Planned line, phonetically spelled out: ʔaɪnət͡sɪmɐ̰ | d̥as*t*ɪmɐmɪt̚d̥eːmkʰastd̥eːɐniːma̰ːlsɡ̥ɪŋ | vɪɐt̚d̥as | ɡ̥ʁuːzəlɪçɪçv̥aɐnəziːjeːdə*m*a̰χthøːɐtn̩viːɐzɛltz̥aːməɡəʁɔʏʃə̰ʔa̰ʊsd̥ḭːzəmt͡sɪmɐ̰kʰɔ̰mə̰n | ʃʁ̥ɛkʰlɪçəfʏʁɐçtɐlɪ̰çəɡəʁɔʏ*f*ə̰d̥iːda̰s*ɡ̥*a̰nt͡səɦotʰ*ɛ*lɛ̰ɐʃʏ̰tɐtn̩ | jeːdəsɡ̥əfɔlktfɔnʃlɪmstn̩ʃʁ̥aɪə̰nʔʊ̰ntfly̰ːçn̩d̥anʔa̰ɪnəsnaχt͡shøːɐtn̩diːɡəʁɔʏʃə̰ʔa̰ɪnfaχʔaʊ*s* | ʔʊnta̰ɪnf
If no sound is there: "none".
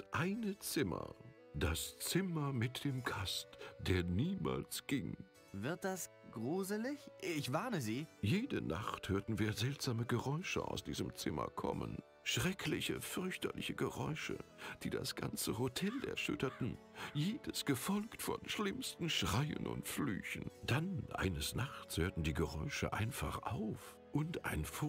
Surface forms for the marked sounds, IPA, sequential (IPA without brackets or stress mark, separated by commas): t͡s, n, ʃ, ɡ̥, ɛ, f